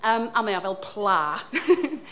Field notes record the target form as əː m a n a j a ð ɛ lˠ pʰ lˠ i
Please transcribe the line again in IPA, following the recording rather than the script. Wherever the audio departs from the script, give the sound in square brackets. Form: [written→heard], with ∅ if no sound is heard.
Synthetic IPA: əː m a [n→m] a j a [ð→v] ɛ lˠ pʰ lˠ [i→a]